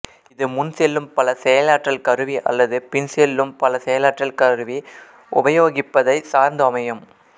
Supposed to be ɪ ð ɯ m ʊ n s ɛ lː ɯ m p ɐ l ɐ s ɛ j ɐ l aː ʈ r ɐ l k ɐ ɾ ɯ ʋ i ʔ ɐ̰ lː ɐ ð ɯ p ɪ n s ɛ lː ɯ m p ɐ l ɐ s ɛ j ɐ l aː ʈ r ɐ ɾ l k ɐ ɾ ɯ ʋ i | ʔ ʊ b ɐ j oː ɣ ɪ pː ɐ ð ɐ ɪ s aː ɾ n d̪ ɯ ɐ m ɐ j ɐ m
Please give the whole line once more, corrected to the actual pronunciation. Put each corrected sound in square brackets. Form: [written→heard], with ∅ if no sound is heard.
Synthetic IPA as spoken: ɪ ð ɯ m ʊ n s ɛ lː ɯ m p ɐ l ɐ s ɛ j ɐ l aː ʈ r ɐ l k ɐ ɾ ɯ ʋ i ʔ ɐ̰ lː ɐ ð ɯ p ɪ n s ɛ lː ɯ m p ɐ l ɐ s ɛ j ɐ l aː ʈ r ɐ [ɾ→∅] l k ɐ ɾ ɯ ʋ i | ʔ ʊ b ɐ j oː ɣ ɪ pː ɐ ð ɐ ɪ s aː ɾ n d̪ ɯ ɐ m ɐ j ɐ m